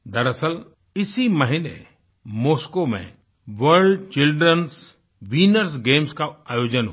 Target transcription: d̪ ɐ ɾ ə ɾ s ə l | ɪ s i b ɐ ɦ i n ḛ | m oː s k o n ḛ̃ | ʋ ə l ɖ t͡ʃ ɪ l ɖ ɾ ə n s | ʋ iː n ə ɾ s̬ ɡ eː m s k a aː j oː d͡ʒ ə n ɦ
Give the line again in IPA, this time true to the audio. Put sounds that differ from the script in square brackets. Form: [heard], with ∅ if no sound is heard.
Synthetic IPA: d̪ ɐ ɾ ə [∅] s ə l | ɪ s i [m] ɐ ɦ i n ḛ | m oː s k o [m] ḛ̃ | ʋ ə [ɾ] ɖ t͡ʃ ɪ l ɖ ɾ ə n s | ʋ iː n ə ɾ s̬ ɡ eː m s k a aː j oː d͡ʒ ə n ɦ